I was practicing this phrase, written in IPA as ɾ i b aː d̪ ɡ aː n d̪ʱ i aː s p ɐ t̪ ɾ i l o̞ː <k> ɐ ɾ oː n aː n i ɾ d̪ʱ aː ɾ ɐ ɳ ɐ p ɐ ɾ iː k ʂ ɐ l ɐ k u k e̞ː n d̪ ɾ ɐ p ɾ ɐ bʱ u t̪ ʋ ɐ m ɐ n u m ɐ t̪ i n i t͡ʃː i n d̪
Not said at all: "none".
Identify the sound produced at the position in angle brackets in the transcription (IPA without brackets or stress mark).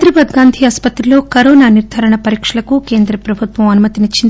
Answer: k